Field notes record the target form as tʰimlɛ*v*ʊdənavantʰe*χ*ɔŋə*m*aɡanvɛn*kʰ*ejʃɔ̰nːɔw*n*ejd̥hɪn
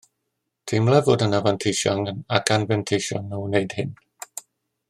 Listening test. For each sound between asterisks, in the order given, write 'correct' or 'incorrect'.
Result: correct, incorrect: ʃ, incorrect: n, incorrect: tʰ, correct

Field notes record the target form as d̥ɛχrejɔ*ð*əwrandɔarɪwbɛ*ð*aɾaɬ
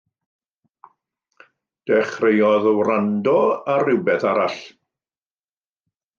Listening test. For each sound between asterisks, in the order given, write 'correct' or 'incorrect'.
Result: correct, incorrect: θ

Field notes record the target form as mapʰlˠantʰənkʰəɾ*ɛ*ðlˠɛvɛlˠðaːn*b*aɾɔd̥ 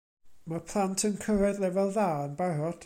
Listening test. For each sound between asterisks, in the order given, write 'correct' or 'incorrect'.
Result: correct, correct

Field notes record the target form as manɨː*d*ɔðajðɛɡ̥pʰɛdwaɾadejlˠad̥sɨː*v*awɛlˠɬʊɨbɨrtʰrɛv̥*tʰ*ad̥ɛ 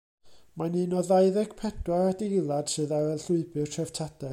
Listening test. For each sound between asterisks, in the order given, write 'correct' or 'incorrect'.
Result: incorrect: n, incorrect: ð, correct

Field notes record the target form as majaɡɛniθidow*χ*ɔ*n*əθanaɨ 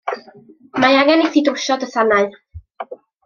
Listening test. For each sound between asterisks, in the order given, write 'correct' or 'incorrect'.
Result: incorrect: ʃ, incorrect: d

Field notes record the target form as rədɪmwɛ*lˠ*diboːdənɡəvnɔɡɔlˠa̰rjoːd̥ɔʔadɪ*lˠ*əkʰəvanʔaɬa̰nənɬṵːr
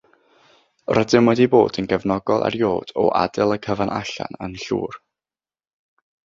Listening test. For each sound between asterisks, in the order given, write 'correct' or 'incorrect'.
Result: incorrect: none, correct

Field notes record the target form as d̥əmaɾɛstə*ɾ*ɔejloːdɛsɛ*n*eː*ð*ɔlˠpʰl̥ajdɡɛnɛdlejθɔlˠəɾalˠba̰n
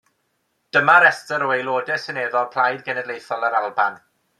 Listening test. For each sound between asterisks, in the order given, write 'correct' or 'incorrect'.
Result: correct, correct, correct

